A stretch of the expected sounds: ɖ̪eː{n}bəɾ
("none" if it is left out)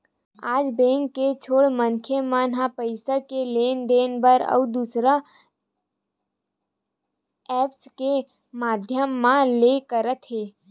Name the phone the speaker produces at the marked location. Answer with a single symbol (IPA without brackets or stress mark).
n